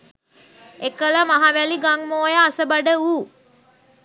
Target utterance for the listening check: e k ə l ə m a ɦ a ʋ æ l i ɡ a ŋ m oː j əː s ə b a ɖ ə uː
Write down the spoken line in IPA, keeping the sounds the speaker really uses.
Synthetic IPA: e k ə l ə m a ɦ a ʋ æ l i ɡ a ŋ m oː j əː s ə b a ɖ ə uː